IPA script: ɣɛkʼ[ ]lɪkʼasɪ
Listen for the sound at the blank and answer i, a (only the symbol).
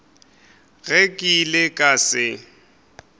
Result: i